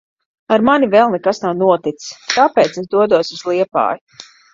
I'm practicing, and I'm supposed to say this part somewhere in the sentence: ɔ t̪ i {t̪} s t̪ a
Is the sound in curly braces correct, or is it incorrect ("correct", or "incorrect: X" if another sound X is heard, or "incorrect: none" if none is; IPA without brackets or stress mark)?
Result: correct